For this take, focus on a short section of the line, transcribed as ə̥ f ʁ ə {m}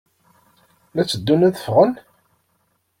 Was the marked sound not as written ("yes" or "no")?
yes